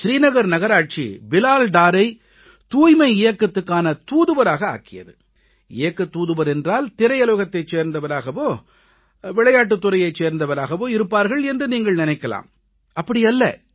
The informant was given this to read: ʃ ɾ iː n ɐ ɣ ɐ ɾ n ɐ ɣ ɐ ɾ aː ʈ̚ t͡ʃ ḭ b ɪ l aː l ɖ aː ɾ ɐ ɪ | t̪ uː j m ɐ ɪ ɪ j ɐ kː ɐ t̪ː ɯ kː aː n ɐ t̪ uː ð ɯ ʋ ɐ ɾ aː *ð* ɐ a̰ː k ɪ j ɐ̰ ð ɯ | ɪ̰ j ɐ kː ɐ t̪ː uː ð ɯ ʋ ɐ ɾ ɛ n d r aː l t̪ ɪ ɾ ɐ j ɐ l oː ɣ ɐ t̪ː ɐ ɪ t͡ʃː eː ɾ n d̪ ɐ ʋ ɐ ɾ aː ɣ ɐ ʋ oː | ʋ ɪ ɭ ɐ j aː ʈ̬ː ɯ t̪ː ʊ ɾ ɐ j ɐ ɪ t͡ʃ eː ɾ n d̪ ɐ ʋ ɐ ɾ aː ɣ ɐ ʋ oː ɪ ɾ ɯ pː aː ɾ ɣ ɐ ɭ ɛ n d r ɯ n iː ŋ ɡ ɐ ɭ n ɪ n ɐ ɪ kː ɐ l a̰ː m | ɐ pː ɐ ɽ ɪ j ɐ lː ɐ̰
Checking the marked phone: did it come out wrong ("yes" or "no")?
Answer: yes